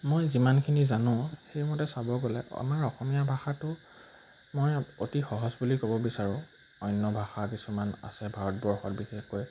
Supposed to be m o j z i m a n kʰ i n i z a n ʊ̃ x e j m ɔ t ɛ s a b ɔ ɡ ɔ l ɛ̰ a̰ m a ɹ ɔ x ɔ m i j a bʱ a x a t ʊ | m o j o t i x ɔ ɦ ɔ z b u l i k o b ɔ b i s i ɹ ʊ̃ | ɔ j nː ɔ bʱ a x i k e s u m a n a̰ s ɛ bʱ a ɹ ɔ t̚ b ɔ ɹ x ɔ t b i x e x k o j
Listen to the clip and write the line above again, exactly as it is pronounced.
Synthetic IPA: m o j z i m a n kʰ i n i z a n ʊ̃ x e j m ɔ t ɛ s a b ɔ ɡ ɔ l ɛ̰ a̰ m a ɹ ɔ x ɔ m i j a bʱ a x a t ʊ | m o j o t i x ɔ ɦ ɔ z b u l i k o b ɔ b i s a ɹ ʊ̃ | ɔ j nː ɔ bʱ a x a k i s u m a n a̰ s ɛ bʱ a ɹ ɔ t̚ b ɔ ɹ x ɔ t b i x e x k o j